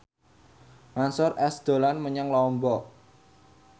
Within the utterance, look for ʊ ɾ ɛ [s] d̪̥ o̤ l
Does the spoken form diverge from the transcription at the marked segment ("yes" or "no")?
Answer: no